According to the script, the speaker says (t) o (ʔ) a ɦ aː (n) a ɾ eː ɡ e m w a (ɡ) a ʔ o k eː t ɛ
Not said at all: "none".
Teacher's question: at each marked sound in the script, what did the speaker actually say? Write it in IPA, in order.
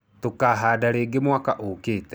t, k, d, k

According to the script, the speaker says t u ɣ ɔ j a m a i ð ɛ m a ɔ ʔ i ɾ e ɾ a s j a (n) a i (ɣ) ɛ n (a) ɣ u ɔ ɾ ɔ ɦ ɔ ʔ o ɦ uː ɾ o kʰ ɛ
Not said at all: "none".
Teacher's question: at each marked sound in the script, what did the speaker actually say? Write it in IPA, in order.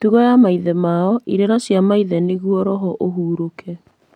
m, ð, e

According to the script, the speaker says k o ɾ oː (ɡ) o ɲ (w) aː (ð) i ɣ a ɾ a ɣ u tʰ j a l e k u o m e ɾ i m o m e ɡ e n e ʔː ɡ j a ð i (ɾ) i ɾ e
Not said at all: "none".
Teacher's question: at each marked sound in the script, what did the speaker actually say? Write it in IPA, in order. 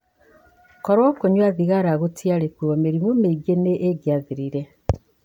k, w, ð, ɾ

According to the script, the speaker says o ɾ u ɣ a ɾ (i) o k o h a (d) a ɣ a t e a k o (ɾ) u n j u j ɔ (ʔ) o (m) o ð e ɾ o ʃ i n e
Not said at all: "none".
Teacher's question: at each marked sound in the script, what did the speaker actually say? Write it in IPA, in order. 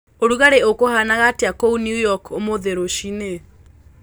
e, n, none, k, m

